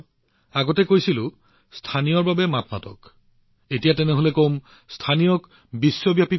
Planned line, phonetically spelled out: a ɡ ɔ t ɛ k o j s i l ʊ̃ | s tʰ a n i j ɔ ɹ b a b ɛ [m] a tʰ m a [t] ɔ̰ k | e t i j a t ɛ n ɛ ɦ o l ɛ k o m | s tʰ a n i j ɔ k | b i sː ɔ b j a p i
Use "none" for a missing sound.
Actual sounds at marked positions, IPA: m, t

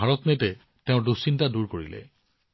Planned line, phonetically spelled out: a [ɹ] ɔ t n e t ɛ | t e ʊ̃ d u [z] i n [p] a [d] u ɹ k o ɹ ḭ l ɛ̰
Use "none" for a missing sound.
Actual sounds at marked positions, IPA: ɹ, s, t, d

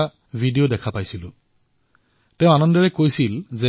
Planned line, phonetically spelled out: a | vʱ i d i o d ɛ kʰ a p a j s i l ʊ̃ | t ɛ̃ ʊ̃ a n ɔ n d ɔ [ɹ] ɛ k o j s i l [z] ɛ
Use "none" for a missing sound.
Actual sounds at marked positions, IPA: ɹ, z

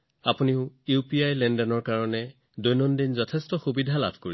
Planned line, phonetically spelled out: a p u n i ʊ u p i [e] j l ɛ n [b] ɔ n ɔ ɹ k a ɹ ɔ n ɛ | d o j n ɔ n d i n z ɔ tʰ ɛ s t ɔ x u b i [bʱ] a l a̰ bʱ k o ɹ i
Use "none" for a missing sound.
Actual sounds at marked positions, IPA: a, d, dʱ

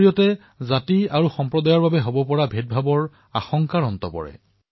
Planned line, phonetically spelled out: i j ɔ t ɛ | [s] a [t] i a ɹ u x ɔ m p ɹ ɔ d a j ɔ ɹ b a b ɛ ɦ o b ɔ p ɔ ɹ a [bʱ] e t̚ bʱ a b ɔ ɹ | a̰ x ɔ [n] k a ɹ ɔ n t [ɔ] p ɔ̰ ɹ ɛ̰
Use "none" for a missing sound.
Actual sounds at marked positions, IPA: z, t, bʱ, ŋ, ɔ

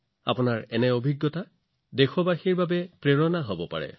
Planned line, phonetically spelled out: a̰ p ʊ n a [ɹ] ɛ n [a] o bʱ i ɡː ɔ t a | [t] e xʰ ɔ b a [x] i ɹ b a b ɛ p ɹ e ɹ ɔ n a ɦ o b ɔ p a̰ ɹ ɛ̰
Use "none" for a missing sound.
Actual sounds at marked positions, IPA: ɹ, ɛ, d, x

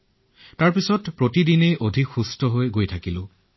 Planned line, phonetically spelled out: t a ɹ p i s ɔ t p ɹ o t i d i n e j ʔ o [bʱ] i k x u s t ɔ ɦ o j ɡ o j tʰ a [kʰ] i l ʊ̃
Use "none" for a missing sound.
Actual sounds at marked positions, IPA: dʱ, k

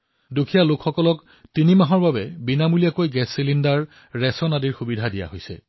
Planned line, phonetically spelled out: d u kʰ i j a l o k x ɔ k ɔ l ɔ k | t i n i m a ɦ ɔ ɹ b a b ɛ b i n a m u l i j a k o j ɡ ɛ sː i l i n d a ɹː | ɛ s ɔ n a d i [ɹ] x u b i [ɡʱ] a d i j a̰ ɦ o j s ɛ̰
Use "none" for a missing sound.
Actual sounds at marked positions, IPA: ɹ, dʱ

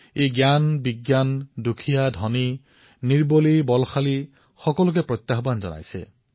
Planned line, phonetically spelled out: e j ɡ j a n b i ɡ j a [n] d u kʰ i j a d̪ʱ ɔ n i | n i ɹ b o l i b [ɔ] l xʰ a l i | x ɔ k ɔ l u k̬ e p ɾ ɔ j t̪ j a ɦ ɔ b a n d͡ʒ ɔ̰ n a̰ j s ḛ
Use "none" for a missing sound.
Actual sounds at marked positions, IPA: n, ɔ

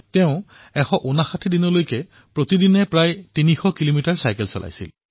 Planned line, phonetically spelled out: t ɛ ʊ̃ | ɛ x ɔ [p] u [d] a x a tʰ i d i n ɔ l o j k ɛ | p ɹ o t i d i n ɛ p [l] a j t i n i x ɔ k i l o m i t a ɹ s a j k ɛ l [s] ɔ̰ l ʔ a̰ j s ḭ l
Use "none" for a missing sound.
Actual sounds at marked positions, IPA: ʔ, n, ɹ, s

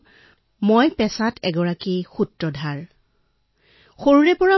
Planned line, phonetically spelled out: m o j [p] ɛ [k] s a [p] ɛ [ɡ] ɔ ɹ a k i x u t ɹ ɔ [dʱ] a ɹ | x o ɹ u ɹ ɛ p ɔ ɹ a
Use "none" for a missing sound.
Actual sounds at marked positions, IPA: p, none, t, ɡ, dʱ

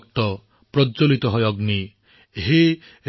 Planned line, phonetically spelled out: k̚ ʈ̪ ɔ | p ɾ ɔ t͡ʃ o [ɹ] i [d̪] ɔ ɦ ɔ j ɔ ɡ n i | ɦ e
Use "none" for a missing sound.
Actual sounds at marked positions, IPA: l, t̪

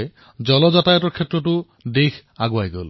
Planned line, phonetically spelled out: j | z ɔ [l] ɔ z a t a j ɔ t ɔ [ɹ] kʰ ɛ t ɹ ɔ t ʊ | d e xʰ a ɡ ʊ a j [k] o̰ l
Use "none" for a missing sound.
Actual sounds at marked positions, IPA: l, ɹ, ɡ

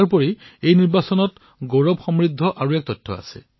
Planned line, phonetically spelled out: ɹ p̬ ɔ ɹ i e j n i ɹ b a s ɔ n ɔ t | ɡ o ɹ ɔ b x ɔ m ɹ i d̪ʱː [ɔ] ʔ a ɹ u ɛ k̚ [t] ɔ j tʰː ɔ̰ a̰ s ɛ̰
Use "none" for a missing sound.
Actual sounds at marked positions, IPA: ɔ, t

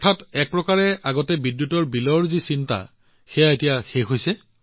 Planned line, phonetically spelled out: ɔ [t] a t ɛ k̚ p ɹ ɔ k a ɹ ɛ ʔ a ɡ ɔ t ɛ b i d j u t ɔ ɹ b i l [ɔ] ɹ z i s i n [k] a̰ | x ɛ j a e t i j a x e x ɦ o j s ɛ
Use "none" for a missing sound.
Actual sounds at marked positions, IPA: tʰ, ɔ, t

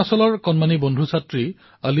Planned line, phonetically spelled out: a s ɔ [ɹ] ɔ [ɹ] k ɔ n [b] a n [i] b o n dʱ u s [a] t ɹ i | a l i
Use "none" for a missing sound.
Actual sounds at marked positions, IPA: l, ɹ, m, i, a

